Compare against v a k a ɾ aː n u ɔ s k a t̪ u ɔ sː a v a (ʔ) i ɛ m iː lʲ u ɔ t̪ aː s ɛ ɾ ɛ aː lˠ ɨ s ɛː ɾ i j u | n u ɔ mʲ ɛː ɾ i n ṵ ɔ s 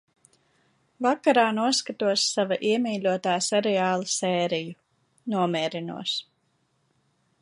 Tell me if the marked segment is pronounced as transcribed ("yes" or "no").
yes